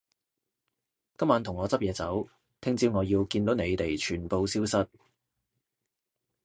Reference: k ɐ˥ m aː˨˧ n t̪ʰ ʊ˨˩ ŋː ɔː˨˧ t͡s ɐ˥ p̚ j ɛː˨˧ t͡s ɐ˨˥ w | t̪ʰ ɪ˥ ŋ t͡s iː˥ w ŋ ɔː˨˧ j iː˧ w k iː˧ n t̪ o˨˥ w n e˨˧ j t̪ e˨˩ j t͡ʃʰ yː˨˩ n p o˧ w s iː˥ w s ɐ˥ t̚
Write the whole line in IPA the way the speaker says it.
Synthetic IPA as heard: k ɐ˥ m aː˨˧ n t̪ʰ ʊ˨˩ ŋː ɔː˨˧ t͡s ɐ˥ p̚ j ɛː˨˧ t͡s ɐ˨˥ w | t̪ʰ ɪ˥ ŋ t͡s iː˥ w ŋ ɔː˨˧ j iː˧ w k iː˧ n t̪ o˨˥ w n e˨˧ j t̪ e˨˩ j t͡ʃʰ yː˨˩ n p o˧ w s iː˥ w s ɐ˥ t̚